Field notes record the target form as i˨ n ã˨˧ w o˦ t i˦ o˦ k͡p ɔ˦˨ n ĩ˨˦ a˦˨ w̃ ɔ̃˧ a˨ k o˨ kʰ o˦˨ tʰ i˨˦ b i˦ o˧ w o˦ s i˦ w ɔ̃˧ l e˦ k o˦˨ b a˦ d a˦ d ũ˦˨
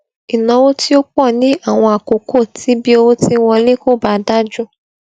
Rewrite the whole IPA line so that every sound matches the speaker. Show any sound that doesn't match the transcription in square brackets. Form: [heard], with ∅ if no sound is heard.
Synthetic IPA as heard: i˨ n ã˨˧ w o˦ t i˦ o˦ k͡p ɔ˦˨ n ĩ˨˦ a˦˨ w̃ ɔ̃˧ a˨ k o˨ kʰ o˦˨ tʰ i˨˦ b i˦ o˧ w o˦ [t] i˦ w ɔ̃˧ l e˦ k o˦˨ b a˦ d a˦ [d͡ʒ] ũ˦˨